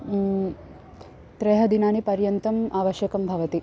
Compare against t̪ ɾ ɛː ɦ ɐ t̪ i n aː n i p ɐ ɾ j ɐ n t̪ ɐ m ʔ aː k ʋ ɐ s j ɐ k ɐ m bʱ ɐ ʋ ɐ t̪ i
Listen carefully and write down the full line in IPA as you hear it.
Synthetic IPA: t̪ ɾ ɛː ɦ ɐ d̪ i n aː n i p ɐ ɾ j ɐ n t̪ ɐ m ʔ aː ʋ ɐ ʃ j ɐ k ɐ m bʱ ɐ ʋ ɐ t̪ i